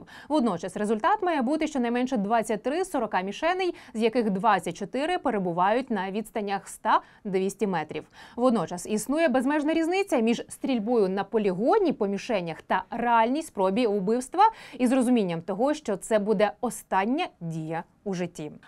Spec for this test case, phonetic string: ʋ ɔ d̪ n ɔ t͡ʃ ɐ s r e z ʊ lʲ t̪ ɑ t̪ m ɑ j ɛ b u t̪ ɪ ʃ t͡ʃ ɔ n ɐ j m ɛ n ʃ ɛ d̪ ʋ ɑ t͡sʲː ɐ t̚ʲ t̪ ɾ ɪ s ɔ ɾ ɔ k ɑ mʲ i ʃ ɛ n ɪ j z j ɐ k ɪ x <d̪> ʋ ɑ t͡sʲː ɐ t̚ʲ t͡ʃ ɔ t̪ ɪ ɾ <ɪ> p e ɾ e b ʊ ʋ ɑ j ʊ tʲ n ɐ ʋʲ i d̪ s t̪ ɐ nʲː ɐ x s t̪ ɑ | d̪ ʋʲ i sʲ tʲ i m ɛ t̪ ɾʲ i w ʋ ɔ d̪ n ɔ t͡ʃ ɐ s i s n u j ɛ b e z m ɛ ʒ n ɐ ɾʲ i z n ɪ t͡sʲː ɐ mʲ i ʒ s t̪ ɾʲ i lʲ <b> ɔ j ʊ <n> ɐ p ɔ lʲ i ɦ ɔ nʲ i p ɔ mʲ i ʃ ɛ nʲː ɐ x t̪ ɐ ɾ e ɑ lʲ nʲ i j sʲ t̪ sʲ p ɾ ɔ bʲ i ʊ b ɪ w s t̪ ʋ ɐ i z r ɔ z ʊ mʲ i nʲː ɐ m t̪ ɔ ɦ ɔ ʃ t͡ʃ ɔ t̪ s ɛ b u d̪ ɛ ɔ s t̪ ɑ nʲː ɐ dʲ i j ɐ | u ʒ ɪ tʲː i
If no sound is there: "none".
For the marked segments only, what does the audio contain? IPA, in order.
d̪, ɪ, b, n

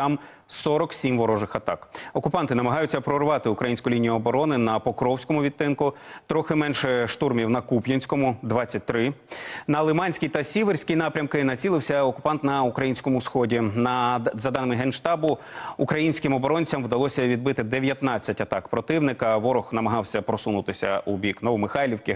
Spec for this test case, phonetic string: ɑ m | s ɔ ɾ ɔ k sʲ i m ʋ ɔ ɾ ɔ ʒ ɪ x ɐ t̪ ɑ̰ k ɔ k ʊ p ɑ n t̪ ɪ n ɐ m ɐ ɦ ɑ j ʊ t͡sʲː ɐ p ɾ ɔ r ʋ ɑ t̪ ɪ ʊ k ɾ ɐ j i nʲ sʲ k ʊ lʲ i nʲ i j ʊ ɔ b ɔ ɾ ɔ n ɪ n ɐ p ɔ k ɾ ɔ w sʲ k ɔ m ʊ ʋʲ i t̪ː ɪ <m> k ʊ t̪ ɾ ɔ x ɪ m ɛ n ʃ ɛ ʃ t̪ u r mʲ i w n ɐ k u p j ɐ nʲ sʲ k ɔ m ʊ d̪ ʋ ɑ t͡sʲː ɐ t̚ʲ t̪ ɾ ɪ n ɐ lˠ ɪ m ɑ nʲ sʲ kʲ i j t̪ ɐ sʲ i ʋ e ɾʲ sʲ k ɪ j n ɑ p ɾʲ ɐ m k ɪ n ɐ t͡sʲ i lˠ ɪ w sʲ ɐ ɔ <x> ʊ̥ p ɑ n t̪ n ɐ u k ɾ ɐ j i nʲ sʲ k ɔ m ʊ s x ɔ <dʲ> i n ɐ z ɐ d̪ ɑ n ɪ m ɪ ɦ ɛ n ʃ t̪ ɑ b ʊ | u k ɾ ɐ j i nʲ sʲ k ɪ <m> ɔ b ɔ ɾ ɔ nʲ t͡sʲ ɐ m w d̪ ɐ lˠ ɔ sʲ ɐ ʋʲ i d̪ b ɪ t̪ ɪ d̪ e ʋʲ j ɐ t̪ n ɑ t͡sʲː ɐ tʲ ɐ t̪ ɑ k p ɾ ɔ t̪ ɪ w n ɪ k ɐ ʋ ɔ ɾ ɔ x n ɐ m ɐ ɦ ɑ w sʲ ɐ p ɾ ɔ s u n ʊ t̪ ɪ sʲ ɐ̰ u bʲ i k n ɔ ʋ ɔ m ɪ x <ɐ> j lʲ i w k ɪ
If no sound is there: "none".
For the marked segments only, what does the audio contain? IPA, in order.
n, k, dʲ, m, ɑ

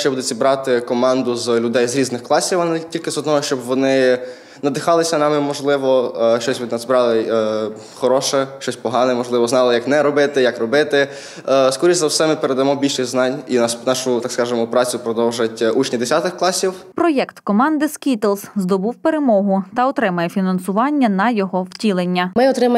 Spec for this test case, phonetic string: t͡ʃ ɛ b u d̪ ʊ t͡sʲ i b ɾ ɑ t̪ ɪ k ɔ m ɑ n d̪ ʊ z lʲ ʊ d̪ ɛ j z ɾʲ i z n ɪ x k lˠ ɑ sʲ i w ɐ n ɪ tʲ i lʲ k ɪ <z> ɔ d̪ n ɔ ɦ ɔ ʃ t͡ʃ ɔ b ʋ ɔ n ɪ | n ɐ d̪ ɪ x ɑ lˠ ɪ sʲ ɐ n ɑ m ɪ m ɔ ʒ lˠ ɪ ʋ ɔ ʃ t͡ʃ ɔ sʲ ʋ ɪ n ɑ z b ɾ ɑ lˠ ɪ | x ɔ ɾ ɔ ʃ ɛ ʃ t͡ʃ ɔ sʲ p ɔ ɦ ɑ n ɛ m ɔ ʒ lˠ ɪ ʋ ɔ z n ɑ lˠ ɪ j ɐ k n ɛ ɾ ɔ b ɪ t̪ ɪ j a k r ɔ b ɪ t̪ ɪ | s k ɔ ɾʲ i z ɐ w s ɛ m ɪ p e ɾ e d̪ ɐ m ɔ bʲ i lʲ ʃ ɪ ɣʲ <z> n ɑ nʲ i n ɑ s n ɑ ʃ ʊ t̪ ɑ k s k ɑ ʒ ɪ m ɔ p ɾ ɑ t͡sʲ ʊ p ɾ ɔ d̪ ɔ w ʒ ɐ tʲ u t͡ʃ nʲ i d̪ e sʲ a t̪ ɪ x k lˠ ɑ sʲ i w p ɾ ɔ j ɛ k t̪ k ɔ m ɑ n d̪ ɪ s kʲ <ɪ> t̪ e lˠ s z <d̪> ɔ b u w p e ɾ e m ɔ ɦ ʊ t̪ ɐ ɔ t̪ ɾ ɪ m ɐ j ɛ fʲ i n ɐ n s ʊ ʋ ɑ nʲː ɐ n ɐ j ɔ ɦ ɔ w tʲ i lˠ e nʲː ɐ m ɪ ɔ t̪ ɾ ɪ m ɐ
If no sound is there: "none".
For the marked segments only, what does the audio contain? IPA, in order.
z, z, i, d̪

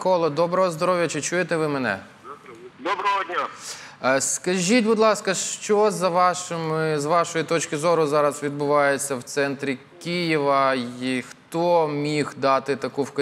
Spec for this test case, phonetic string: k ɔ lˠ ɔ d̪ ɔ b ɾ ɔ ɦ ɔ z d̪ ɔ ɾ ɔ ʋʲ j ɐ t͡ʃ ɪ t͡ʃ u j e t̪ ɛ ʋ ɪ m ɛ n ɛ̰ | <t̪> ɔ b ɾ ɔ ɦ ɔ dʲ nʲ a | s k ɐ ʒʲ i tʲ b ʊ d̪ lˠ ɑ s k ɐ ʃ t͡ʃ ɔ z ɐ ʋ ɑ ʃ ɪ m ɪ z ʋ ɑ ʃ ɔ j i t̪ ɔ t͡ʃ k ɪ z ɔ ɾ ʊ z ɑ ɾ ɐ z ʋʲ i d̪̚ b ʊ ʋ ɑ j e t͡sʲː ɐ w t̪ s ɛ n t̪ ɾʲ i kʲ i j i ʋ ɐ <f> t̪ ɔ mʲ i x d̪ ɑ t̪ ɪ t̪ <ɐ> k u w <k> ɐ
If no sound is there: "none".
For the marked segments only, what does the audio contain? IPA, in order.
d̪, x, ɐ, k

